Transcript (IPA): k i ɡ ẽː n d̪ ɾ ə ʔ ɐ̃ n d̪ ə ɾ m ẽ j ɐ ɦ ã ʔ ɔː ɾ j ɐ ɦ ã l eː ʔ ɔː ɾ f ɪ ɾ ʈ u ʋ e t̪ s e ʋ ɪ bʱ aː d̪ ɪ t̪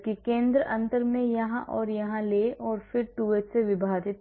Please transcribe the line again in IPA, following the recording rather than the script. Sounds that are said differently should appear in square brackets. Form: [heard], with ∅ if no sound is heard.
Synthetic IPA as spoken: k i [k] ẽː n d̪ ɾ ə ʔ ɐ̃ n [t̪] ə ɾ m ẽ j ɐ ɦ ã ʔ ɔː ɾ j ɐ ɦ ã l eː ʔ ɔː ɾ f ɪ ɾ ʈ u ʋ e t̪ s e ʋ ɪ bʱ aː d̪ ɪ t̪